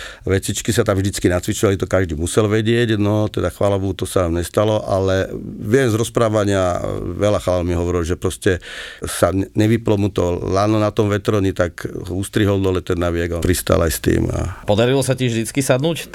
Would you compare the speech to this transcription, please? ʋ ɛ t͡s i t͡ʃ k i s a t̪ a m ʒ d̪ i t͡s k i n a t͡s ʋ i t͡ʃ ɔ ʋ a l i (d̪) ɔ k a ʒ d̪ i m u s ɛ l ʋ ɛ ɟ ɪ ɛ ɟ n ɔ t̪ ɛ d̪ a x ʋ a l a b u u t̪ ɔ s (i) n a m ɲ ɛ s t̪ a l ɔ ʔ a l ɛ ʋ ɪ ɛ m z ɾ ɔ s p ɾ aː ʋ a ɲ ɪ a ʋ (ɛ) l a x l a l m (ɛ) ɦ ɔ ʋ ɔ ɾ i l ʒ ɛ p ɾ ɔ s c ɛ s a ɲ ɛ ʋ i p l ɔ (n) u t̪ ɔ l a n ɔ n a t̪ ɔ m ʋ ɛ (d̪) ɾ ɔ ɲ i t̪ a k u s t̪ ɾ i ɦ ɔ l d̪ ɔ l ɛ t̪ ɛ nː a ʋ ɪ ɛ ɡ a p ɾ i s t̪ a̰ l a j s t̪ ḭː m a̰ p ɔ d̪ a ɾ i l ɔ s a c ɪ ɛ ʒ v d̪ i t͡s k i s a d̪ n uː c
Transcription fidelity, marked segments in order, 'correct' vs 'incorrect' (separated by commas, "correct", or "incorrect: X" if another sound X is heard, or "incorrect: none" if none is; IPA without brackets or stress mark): incorrect: t̪, incorrect: a, correct, incorrect: i, incorrect: m, incorrect: t̪